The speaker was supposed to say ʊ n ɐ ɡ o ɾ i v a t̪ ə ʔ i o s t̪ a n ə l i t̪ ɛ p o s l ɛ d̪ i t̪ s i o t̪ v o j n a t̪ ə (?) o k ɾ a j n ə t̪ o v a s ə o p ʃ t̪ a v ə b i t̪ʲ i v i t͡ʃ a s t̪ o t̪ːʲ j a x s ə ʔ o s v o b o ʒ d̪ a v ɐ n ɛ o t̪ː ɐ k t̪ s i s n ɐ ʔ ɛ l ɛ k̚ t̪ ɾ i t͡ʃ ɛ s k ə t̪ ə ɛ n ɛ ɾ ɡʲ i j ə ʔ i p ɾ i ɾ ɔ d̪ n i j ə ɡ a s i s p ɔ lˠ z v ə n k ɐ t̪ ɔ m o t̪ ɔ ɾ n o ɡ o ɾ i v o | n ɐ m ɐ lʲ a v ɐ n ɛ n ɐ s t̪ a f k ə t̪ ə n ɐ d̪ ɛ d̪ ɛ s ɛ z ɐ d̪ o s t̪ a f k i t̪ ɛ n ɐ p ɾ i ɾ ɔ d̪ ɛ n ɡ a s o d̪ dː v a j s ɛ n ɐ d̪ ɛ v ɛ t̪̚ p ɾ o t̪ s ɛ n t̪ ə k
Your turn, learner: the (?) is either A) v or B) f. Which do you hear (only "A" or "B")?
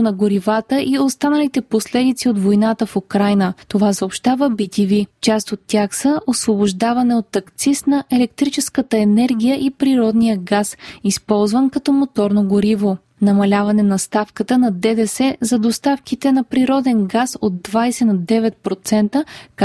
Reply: B